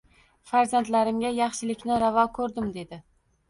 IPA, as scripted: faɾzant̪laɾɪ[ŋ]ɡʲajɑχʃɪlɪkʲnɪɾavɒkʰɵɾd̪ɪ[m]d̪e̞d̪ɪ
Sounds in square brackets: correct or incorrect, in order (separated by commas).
incorrect, correct